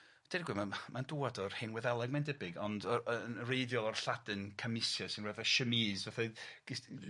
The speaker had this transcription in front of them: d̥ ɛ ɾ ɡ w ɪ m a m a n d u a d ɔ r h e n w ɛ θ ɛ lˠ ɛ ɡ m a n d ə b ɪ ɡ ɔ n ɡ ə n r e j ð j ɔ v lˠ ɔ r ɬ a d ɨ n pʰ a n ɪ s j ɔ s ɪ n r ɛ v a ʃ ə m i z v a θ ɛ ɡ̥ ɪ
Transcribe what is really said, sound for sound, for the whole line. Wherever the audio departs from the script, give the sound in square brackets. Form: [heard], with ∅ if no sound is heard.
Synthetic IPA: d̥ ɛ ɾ ɡ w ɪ m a m a n d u a d ɔ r h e n w ɛ [ð] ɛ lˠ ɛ ɡ m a n d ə b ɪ ɡ ɔ n [d] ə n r e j ð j ɔ [∅] lˠ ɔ r ɬ a d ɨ n [kʰ] a [m] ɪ s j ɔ s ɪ n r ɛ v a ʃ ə m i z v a θ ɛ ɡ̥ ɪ